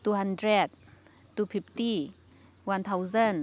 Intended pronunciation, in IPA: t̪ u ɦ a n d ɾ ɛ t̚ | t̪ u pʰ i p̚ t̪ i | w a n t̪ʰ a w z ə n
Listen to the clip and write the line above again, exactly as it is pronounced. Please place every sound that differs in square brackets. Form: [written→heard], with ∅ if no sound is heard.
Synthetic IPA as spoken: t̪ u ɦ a n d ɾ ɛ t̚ | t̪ u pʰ i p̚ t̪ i | w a n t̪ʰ a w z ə n